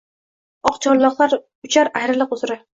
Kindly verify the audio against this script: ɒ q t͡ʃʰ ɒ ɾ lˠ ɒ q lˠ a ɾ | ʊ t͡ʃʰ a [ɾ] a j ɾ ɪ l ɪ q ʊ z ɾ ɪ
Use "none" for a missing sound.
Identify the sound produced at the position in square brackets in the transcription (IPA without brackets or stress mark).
ɾ